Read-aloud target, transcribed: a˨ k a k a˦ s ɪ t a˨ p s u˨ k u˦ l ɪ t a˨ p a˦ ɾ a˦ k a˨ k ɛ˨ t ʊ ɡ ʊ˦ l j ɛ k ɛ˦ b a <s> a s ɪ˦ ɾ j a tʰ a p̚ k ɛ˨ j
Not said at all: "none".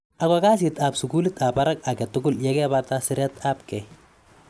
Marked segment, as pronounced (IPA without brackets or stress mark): t